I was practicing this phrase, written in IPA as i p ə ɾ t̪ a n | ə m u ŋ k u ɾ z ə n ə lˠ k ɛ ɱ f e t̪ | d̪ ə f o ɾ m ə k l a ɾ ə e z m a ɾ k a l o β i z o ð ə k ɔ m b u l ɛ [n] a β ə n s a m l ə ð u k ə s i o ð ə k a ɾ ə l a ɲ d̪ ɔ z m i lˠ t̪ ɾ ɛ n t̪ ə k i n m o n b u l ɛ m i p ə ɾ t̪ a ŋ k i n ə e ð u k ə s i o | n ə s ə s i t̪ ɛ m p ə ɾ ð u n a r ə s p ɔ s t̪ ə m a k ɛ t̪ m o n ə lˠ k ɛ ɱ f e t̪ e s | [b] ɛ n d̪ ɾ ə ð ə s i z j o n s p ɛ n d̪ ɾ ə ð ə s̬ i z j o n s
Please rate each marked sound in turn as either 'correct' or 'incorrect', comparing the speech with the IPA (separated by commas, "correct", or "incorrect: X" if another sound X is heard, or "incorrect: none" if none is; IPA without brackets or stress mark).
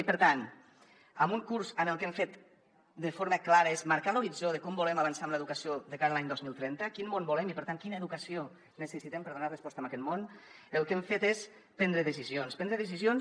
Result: incorrect: m, incorrect: p